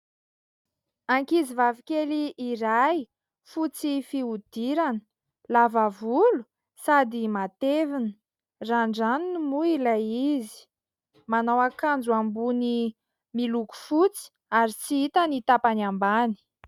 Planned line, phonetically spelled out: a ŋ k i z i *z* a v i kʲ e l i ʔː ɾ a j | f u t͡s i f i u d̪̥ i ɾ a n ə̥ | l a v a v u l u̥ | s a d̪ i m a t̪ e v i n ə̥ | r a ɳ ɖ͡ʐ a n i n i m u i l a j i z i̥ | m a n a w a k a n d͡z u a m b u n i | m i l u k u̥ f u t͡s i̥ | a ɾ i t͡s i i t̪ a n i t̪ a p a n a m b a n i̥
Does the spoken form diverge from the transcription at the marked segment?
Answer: yes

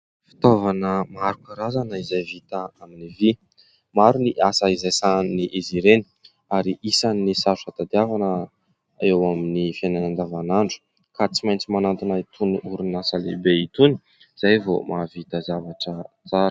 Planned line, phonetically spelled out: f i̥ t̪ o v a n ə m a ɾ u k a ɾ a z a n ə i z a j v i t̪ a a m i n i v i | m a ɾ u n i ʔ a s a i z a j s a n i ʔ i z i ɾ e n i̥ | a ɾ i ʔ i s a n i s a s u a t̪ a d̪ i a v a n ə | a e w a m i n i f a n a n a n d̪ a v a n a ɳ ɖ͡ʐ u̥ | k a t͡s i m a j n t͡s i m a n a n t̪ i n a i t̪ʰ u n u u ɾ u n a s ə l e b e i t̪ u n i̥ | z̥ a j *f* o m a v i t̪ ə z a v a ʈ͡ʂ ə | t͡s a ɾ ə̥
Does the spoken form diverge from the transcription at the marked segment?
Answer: yes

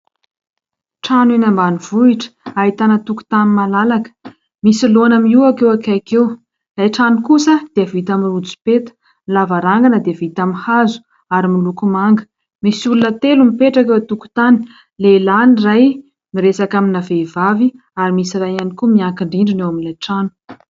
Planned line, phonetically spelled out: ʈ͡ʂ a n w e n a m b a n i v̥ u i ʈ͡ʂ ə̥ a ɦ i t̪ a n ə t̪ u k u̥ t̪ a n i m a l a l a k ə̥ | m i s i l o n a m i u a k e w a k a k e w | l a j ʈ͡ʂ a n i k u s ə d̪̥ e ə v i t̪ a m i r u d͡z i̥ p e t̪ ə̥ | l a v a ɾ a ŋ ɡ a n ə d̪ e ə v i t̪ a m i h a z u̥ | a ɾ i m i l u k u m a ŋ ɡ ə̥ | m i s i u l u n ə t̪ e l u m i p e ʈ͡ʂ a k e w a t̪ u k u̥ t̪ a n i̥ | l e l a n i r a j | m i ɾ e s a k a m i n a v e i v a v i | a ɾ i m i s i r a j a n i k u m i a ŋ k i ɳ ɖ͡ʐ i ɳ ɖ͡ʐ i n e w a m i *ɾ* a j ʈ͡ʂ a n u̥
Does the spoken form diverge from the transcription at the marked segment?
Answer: yes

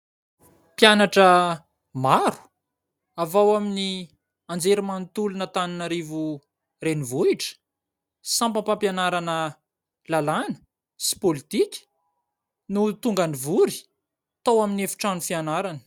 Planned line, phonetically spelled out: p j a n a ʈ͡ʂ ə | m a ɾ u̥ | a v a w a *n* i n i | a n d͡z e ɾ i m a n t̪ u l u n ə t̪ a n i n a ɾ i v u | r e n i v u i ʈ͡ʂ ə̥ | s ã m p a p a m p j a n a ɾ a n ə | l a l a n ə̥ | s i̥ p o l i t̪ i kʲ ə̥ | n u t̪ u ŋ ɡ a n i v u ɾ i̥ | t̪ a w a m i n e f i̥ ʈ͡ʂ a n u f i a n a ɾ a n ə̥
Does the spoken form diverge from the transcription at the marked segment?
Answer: yes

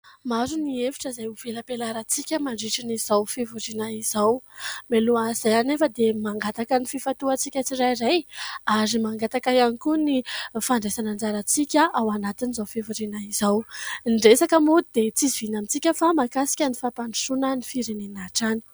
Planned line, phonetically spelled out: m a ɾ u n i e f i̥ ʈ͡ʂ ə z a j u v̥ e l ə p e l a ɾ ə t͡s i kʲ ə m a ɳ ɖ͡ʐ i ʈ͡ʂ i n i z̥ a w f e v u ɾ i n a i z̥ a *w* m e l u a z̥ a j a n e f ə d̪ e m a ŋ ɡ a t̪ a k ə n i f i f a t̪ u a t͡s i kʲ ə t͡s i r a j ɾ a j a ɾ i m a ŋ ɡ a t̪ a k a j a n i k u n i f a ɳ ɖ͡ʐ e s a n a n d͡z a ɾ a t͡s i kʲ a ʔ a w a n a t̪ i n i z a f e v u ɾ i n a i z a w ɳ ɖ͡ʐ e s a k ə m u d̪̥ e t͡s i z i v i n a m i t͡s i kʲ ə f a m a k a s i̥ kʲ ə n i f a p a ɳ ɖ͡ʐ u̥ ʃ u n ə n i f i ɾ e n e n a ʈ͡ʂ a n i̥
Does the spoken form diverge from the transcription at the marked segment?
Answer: no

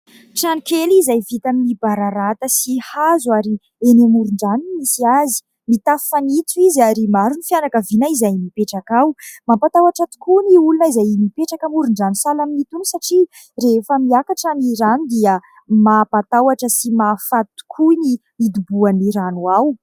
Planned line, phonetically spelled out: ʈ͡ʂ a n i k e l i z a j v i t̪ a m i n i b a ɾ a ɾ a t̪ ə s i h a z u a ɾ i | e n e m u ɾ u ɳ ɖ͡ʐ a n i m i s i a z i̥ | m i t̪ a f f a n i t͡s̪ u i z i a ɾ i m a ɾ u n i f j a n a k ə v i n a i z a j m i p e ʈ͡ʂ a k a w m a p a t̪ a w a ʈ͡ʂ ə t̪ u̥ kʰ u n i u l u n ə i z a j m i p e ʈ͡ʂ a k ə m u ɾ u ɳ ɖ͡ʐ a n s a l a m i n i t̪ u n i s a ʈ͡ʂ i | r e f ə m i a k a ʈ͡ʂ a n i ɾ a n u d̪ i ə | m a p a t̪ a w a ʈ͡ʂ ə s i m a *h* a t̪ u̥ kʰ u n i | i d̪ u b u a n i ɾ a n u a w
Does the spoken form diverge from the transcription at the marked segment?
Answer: yes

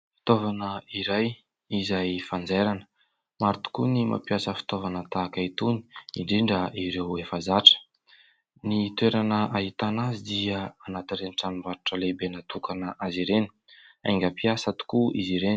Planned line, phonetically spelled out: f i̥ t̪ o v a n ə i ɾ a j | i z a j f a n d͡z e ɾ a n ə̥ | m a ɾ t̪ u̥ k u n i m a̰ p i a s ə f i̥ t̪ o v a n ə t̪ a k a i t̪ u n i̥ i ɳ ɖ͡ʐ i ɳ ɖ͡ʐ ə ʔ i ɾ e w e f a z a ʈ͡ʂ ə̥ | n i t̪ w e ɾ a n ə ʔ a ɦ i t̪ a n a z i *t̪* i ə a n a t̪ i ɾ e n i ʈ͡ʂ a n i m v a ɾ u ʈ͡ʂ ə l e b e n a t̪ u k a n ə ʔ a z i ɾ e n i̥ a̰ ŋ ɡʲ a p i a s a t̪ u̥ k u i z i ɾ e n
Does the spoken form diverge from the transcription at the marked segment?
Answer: yes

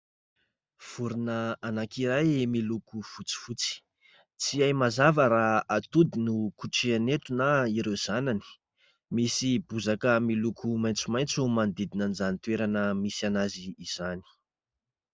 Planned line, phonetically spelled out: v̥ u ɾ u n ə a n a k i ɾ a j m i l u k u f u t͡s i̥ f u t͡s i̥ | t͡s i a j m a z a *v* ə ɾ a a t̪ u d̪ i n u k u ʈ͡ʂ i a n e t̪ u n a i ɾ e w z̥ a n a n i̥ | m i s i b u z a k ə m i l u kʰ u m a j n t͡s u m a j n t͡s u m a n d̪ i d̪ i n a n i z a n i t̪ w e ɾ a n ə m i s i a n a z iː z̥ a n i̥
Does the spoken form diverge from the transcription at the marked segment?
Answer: no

